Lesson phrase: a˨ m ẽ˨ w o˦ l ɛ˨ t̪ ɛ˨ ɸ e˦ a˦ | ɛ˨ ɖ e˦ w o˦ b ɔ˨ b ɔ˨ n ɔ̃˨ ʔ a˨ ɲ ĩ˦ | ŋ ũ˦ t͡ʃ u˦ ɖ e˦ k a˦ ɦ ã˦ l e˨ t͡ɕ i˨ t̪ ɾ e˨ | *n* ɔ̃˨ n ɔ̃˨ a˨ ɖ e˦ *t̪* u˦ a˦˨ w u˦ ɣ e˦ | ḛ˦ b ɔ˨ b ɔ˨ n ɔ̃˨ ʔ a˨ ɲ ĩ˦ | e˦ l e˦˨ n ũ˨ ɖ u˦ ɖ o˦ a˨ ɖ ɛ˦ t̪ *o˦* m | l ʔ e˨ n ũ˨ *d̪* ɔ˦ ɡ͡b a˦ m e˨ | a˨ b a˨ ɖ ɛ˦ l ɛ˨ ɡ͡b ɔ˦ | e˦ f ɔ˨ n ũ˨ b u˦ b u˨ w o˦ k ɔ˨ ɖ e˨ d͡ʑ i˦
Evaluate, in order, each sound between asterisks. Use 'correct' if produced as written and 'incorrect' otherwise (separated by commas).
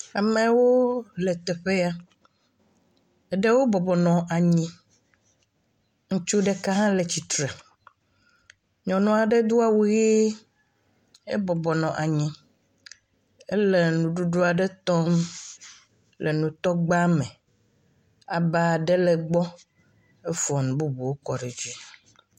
incorrect, incorrect, incorrect, incorrect